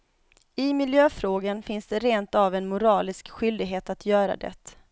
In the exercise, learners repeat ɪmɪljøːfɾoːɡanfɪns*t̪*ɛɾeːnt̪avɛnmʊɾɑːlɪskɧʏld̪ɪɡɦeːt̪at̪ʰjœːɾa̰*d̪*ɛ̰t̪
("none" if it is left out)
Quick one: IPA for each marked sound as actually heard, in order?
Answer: d̪, d̪

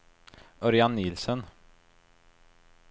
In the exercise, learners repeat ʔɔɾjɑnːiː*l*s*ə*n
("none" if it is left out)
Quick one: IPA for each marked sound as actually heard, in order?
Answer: l, ə

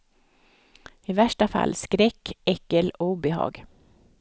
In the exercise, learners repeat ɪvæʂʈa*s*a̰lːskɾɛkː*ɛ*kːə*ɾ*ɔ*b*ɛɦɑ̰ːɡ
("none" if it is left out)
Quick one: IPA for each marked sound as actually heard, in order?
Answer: f, ɛ, l, b

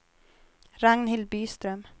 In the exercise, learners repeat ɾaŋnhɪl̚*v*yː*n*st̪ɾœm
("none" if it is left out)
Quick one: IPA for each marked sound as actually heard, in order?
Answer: b, none

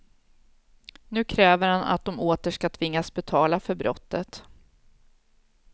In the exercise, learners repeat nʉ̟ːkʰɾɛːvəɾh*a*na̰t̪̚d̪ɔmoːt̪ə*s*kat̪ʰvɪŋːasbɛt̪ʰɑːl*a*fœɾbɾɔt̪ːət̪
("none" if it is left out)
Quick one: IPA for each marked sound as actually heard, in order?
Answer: a, ʂ, a

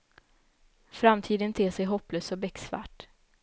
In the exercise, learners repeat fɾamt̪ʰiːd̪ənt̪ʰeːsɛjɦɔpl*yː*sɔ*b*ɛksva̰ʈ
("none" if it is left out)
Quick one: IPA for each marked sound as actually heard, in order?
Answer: øː, b

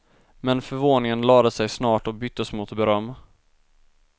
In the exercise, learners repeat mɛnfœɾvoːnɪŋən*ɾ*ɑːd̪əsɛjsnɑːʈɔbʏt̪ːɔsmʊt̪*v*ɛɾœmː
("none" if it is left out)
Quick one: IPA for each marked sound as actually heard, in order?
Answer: l, b

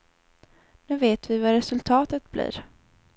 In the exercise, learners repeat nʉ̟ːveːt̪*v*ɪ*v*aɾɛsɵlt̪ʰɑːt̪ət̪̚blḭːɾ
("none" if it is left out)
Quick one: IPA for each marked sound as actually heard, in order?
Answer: v, v

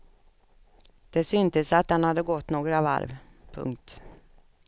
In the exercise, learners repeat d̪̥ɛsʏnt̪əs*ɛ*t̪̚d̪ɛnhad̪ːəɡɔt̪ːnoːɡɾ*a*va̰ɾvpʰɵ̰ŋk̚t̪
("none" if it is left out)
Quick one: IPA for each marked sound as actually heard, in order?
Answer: a, a

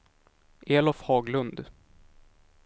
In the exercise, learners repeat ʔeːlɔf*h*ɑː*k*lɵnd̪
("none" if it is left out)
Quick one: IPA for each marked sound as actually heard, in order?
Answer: h, ɡ

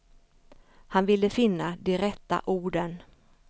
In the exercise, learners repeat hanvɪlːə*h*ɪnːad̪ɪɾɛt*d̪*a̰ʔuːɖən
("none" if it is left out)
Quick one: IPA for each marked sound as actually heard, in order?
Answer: f, t̪

